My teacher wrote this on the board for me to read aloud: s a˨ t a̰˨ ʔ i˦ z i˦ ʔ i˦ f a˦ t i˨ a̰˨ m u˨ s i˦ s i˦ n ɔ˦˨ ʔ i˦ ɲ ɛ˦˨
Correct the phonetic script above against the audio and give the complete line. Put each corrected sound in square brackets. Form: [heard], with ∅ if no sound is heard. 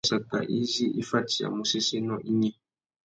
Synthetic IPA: s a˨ t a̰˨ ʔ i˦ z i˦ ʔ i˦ f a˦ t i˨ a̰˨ m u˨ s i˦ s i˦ n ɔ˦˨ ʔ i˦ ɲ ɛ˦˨